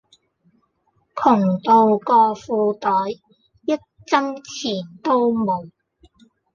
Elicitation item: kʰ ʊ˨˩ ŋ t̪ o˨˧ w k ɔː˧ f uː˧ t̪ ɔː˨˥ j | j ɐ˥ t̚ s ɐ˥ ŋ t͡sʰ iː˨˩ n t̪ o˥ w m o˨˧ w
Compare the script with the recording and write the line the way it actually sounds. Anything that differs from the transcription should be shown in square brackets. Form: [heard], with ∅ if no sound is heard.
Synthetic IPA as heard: kʰ ʊ˨˩ ŋ t̪ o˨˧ w k ɔː˧ f uː˧ t̪ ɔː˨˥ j | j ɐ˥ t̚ [t͡s] ɐ˥ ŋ t͡sʰ iː˨˩ n t̪ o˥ w m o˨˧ w